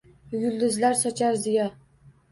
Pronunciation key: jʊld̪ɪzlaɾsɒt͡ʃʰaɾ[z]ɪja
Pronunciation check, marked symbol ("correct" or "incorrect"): correct